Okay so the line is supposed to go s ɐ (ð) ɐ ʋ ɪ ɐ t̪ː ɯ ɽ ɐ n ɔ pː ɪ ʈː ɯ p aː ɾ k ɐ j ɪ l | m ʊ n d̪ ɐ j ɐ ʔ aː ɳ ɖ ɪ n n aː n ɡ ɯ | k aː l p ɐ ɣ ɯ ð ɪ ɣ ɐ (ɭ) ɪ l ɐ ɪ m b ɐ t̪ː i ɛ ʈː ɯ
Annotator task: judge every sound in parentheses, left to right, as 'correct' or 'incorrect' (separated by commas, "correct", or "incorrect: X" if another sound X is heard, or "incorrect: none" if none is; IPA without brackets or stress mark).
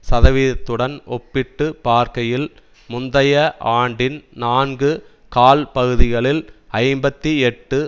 correct, correct